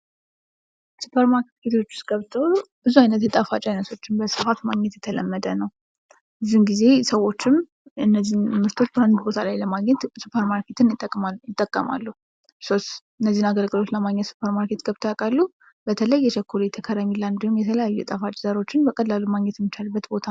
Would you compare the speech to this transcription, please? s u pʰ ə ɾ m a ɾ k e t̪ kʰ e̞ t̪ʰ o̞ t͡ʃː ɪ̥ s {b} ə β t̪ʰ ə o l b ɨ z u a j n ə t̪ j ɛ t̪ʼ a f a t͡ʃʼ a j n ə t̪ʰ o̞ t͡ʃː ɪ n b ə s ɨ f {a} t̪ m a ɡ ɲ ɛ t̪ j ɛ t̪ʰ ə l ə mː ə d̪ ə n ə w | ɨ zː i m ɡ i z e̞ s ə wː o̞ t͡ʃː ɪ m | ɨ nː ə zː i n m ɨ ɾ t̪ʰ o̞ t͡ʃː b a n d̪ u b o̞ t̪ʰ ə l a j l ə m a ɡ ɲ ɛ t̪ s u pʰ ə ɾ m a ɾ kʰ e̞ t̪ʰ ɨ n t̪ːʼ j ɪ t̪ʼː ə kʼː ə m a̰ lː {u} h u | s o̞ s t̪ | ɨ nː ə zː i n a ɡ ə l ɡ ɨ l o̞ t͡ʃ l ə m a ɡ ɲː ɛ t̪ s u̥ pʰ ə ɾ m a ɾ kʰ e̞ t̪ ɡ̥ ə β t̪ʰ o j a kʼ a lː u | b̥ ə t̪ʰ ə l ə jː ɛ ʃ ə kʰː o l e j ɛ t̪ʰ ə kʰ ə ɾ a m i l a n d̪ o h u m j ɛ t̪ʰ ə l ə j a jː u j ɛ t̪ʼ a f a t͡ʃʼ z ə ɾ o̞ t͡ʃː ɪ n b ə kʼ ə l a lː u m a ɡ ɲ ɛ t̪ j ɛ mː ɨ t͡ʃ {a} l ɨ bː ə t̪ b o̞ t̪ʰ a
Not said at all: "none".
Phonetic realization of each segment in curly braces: ɡ, a, u, a

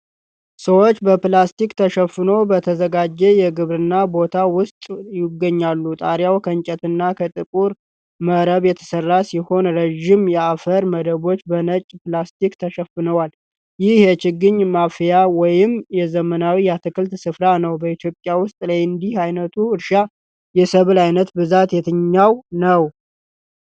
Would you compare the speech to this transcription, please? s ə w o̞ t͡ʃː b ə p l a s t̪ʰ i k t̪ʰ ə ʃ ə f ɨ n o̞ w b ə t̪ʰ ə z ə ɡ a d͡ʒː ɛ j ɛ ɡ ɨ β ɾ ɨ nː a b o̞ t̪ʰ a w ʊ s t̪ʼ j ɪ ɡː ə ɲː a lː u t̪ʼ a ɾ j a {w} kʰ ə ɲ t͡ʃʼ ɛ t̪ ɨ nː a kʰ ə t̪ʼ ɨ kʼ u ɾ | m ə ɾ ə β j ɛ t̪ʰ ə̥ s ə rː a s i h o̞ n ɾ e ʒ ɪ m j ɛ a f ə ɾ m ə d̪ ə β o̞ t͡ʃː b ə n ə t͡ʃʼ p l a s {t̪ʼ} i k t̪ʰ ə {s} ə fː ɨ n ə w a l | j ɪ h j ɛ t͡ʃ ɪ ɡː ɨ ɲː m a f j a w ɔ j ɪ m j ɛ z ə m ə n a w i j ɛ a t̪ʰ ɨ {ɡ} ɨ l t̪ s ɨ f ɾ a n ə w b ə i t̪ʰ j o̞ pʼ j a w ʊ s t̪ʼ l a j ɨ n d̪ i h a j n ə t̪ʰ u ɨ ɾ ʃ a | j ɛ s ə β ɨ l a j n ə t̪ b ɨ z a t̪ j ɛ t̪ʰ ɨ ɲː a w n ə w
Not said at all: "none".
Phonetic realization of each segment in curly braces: w, t̪, ʃ, k

